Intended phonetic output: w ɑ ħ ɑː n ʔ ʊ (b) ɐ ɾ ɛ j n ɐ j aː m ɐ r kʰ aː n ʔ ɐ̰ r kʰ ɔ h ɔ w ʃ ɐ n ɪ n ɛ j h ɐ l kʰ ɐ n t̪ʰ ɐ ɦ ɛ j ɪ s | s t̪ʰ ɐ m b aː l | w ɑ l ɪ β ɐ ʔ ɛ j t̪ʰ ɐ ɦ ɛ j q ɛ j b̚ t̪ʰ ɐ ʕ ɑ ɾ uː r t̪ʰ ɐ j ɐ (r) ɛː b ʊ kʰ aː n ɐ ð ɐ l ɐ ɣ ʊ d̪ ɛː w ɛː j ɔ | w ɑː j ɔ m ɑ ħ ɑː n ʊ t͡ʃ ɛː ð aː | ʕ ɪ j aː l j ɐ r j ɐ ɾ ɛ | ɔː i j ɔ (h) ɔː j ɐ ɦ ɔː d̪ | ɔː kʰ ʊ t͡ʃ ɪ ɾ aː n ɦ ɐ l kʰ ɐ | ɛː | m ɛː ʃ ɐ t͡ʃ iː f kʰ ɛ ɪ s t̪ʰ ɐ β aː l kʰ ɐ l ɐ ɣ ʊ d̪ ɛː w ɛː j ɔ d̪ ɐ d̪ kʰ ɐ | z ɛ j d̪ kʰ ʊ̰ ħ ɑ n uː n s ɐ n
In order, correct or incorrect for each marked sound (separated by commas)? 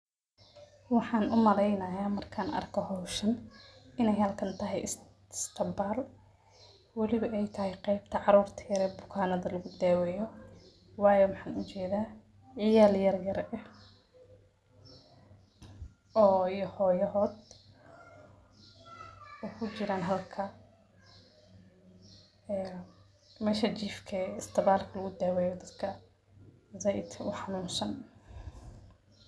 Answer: incorrect, incorrect, correct